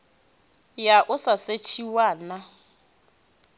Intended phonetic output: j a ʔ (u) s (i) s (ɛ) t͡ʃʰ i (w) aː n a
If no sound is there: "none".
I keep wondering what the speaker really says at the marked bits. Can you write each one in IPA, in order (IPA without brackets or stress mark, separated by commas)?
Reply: ʊ, a, e, w